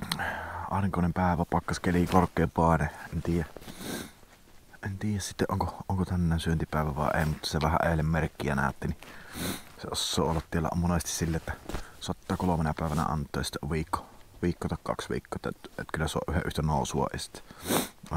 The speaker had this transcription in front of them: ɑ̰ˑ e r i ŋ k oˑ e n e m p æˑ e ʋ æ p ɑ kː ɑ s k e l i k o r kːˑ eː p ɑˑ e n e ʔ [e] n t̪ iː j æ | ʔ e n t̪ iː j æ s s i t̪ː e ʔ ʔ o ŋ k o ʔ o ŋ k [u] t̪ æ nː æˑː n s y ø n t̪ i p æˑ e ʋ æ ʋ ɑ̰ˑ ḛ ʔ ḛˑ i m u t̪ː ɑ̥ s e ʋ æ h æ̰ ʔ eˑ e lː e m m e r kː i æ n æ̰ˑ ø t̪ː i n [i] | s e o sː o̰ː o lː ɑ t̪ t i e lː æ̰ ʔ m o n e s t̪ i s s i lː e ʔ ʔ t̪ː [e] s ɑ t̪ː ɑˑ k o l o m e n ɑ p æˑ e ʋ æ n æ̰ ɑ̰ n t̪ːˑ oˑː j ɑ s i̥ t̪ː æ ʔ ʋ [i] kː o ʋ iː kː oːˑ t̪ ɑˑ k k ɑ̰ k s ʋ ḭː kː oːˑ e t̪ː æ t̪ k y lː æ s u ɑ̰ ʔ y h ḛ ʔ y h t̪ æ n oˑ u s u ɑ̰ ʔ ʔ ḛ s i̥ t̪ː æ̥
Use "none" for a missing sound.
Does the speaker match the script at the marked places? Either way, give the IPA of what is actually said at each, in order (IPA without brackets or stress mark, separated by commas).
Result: e, o, i, æ, iː